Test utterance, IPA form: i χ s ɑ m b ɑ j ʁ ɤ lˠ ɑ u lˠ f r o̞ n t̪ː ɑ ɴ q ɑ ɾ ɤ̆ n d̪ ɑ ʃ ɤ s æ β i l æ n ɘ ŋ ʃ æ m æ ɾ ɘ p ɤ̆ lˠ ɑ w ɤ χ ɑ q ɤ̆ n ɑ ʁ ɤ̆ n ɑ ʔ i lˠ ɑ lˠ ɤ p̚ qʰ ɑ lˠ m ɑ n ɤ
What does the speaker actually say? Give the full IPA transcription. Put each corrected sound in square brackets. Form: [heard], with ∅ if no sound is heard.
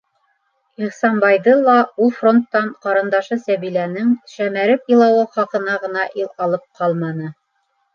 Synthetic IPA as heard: i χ s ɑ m b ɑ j [ð] ɤ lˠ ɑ u lˠ f r o̞ n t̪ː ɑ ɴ q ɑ ɾ ɤ̆ n d̪ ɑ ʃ ɤ s æ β i l æ n ɘ ŋ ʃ æ m æ ɾ ɘ p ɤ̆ lˠ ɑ w ɤ χ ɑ q ɤ̆ n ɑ ʁ ɤ̆ n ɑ ʔ i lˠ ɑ lˠ ɤ p̚ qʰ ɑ lˠ m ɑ n ɤ